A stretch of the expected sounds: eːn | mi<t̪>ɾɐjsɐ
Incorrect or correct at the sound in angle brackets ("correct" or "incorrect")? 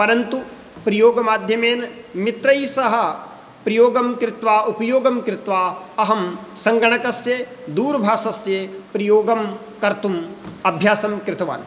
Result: correct